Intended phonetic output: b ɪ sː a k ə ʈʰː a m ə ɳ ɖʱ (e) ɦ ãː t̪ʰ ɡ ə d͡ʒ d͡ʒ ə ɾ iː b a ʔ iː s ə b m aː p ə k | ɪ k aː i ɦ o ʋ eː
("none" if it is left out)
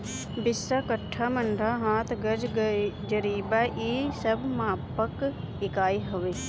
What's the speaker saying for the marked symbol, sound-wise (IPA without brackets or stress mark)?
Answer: a